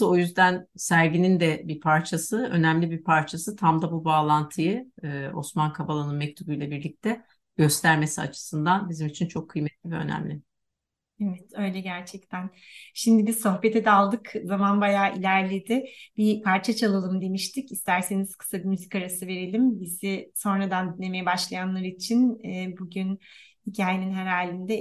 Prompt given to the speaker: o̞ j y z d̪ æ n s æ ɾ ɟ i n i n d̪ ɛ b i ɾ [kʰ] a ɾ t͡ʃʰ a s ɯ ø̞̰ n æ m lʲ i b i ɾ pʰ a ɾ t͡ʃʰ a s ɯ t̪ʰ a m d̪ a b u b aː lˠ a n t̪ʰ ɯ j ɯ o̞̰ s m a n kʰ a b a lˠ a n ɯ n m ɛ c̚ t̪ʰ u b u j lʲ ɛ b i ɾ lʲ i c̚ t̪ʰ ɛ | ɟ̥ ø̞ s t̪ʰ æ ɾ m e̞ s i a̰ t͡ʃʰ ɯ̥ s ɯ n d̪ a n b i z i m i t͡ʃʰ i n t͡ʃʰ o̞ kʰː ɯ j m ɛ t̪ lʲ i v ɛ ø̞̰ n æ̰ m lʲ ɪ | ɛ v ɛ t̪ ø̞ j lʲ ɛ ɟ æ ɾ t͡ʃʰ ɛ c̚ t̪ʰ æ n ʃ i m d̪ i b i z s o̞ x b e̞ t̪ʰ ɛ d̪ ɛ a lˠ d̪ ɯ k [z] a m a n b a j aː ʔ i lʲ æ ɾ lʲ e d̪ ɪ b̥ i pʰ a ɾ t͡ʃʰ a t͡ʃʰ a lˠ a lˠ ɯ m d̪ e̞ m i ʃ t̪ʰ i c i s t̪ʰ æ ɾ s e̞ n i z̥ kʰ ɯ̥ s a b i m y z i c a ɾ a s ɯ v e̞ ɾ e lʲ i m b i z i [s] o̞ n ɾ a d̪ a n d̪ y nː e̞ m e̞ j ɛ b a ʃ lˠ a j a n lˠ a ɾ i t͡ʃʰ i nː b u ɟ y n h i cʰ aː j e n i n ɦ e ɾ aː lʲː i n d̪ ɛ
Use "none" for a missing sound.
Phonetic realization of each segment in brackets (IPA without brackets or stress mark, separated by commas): pʰ, z, s